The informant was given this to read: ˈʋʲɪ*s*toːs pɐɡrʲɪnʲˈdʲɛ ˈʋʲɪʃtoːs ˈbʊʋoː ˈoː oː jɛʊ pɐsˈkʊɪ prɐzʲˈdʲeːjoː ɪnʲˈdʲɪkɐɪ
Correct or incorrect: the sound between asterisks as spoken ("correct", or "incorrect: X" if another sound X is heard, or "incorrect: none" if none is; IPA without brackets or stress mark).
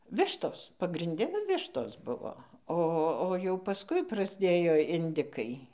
incorrect: ʃ